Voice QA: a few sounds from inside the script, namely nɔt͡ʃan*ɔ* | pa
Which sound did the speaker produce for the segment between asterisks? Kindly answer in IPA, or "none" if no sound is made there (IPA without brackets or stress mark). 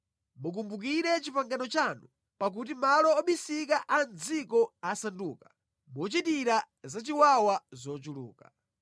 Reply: u